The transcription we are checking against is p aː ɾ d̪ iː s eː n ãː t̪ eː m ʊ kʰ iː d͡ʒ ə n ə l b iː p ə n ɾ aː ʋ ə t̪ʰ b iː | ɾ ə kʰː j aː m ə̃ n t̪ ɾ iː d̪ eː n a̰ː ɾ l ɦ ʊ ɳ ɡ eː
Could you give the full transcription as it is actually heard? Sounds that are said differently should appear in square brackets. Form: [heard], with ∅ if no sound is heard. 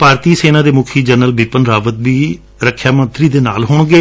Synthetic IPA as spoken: p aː ɾ [t̪] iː s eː n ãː [d̪] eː m ʊ kʰ iː d͡ʒ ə n ə l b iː p ə n ɾ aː ʋ ə [t̪] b iː | ɾ ə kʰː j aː m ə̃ n t̪ ɾ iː d̪ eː n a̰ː [∅] l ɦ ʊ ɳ ɡ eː